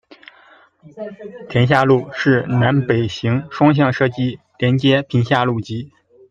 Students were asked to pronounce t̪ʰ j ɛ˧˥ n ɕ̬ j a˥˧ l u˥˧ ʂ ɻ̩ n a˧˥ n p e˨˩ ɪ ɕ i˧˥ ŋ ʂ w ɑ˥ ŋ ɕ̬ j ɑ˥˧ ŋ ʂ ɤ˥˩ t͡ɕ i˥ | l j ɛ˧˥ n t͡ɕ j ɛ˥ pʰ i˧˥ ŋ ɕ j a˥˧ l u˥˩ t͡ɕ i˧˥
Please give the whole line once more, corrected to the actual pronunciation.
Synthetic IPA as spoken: t̪ʰ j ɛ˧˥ n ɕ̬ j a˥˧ l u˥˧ ʂ ɻ̩ n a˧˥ n p e˨˩ ɪ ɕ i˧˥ ŋ ʂ w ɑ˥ ŋ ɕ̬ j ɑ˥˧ ŋ ʂ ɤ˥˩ t͡ɕ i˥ | l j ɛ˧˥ n t͡ɕ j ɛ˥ pʰ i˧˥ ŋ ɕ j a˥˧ l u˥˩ t͡ɕ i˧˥